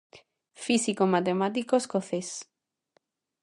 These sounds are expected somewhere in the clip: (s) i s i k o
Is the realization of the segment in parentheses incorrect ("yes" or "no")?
yes